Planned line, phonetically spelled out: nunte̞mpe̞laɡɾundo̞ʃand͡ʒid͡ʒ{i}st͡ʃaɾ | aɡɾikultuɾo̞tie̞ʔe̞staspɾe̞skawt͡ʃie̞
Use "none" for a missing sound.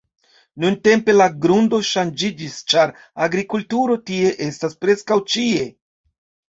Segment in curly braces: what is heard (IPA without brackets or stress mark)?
i